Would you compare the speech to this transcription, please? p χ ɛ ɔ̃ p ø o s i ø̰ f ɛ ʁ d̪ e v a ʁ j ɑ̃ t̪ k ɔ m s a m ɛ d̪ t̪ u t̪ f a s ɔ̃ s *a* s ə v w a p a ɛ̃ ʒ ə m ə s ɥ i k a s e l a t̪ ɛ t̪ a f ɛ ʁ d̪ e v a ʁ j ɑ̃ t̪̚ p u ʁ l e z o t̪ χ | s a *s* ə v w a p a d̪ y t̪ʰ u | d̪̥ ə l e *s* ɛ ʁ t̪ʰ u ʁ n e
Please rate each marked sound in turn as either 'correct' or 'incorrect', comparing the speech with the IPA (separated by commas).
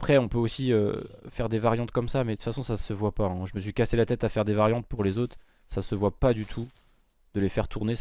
correct, correct, incorrect